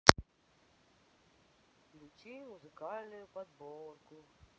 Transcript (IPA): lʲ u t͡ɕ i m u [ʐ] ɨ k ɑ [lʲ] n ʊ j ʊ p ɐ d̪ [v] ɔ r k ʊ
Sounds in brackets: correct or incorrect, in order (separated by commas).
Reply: incorrect, correct, incorrect